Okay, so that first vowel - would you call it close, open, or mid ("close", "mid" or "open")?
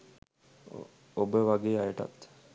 mid